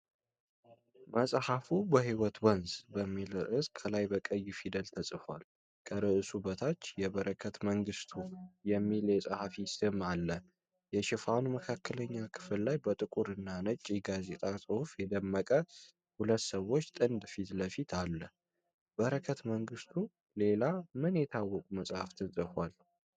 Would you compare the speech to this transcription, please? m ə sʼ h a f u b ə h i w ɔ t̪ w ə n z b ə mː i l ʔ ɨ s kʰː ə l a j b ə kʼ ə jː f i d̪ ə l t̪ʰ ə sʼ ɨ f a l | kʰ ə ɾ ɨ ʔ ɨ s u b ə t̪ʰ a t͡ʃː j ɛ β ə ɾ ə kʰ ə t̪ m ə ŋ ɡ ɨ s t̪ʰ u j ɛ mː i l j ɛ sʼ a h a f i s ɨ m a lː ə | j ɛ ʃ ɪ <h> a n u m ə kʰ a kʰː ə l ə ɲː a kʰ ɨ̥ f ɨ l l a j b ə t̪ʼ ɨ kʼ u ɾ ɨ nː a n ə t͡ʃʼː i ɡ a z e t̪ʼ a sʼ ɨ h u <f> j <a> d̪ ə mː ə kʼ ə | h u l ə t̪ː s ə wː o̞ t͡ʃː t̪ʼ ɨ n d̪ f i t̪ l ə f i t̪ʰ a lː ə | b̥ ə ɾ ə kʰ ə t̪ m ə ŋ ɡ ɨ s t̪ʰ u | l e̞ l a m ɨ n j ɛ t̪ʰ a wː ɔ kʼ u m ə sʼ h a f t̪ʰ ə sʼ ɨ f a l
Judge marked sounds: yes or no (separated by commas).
no, yes, no